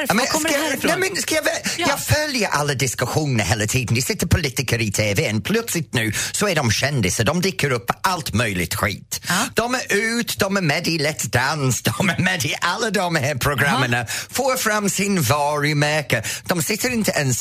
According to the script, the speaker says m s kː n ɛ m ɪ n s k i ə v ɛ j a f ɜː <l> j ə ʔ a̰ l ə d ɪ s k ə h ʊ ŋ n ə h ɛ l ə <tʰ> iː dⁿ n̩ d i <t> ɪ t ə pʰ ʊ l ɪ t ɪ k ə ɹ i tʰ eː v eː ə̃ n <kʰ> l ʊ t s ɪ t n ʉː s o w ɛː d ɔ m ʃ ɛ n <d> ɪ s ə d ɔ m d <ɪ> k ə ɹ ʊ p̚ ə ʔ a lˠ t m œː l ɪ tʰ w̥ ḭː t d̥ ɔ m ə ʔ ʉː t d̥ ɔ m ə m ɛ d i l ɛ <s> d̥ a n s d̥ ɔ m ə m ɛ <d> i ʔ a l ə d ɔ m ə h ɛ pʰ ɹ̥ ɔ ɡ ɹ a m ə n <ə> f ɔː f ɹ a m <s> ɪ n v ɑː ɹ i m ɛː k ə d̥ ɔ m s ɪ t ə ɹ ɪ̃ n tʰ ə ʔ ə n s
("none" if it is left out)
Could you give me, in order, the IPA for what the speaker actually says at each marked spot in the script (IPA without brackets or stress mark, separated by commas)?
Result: l, tʰ, s, pʰ, d, ɪ, t, d, ə, s